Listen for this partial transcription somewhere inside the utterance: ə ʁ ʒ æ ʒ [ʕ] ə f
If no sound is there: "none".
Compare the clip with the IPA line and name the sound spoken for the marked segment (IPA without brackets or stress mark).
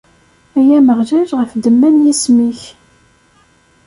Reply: ʁ